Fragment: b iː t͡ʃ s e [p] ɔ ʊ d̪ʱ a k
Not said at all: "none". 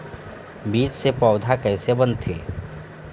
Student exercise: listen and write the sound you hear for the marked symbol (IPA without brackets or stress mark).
p